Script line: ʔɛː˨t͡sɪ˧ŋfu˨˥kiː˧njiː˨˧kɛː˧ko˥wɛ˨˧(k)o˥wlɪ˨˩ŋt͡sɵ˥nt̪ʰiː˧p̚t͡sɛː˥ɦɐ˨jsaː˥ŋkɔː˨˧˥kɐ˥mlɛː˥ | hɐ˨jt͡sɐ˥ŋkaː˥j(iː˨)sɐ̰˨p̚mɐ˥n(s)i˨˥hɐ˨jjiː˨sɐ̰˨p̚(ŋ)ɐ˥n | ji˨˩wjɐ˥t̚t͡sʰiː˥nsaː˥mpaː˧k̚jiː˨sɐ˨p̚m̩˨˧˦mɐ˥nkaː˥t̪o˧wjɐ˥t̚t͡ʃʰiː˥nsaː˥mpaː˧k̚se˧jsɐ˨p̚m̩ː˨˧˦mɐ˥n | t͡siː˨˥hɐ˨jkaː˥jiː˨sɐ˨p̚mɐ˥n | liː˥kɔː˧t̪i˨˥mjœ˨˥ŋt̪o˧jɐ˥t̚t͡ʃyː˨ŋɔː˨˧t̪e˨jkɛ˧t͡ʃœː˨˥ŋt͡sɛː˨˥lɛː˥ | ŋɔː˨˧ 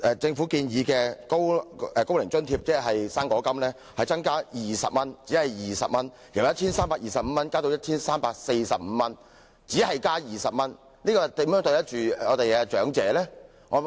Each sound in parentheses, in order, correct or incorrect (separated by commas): correct, correct, incorrect, incorrect